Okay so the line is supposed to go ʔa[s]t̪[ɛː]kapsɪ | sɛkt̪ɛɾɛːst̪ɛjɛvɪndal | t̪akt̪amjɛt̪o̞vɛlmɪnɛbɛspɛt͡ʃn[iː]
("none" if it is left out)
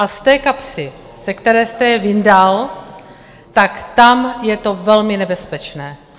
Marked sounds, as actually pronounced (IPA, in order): s, ɛː, ɛː

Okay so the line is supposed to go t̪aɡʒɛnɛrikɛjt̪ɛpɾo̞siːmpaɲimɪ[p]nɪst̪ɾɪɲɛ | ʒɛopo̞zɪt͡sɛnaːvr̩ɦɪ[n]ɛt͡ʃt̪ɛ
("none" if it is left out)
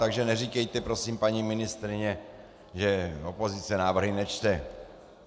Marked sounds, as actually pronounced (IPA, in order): none, n

